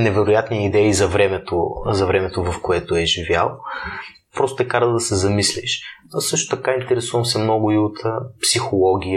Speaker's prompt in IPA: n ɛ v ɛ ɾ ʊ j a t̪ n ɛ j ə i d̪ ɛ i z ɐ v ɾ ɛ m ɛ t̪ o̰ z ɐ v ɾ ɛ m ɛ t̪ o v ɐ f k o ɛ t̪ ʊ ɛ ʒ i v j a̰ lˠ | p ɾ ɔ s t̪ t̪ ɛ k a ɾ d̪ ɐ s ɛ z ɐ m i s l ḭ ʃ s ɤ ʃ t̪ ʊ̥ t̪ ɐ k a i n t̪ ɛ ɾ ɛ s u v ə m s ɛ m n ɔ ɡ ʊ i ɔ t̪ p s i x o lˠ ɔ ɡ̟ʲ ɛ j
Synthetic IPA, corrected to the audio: n ɛ v ɛ ɾ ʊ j a t̪ n i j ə i d̪ ɛ i z ɐ v ɾ ɛ m ɛ t̪ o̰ z ɐ v ɾ ɛ m ɛ t̪ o v ɐ f k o ɛ t̪ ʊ ɛ ʒ i v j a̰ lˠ | p ɾ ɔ s t̪ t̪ ɛ k a ɾ d̪ ɐ s ɛ z ɐ m i s l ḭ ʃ s ɤ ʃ t̪ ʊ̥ t̪ ɐ k a i n t̪ ɛ ɾ ɛ s u v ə m s ɛ m n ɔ ɡ ʊ i o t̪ p s i x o lˠ ɔ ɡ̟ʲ i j